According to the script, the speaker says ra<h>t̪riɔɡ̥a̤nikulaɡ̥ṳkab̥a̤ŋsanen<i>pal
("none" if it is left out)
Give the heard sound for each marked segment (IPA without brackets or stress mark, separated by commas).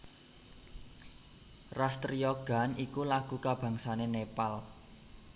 s, e